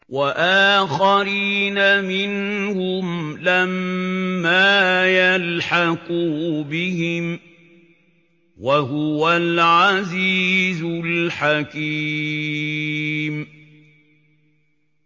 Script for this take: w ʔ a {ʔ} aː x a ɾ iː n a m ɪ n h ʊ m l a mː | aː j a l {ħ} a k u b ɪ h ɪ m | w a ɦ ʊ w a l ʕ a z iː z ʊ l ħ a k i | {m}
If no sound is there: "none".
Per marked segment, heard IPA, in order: ʔ, ħ, m

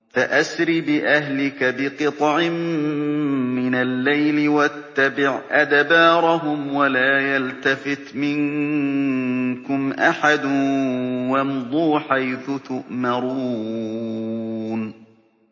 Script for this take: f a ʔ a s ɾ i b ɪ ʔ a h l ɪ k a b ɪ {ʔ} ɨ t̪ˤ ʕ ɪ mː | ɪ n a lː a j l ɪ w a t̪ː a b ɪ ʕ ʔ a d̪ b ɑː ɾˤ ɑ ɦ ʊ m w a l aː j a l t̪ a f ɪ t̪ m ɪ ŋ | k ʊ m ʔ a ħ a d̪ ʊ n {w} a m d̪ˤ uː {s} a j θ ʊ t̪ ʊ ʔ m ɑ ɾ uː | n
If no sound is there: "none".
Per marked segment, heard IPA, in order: q, w, ħ

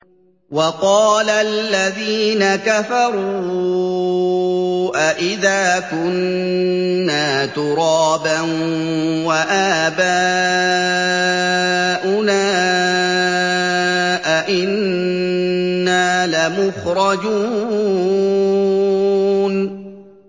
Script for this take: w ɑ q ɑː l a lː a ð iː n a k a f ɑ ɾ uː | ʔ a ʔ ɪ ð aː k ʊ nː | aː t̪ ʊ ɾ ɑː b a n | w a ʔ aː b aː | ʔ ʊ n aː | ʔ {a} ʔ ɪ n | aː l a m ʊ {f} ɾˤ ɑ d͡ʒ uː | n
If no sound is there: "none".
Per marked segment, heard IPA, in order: a, x

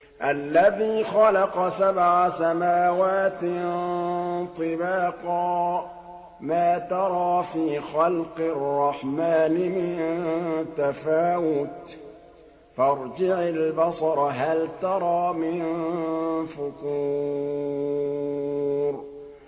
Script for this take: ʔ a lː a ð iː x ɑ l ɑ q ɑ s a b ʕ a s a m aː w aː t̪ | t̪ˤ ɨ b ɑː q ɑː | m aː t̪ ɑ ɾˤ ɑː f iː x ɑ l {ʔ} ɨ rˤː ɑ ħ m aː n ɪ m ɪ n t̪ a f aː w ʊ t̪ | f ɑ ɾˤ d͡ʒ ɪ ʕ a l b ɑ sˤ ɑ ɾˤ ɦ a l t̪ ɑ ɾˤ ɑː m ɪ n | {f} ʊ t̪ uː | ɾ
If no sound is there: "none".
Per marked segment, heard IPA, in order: q, f

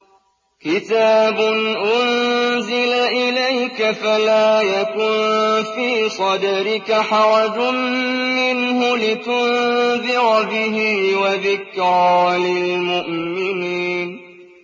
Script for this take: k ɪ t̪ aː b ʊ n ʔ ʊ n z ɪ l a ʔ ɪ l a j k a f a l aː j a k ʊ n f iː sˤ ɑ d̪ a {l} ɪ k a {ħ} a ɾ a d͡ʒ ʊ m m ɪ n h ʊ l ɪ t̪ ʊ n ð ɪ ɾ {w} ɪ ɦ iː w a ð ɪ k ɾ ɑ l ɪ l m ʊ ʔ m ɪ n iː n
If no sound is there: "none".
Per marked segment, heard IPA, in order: ɾ, ħ, b

